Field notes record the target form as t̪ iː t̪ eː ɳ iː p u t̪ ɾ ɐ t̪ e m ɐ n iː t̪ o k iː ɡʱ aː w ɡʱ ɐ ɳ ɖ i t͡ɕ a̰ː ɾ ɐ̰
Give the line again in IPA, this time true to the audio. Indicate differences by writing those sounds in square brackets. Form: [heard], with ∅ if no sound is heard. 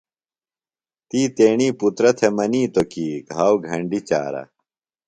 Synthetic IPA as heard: t̪ iː t̪ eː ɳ iː p u t̪ ɾ ɐ [t̪ʰ] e m ɐ n iː t̪ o k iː ɡʱ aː w ɡʱ ɐ ɳ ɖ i t͡ɕ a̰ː ɾ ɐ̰